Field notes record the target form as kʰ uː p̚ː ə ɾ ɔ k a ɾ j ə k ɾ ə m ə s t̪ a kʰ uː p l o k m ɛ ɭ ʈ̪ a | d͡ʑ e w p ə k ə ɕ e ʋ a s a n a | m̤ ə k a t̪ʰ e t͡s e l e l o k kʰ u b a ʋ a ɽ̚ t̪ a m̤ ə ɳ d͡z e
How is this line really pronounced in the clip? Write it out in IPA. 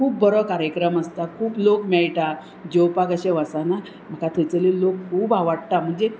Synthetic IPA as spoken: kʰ uː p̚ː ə ɾ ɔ k a ɾ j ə k ɾ ə m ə s t̪ a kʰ uː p l o k m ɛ ɭ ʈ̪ a | d͡ʑ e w p a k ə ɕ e ʋ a s a n a | m̤ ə k a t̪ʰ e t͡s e l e l o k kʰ uː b a ʋ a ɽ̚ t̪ a m̤ ə ɳ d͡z e